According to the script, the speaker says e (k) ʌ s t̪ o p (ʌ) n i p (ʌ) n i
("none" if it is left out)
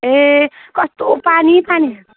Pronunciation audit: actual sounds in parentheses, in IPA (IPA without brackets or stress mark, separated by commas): k, a, a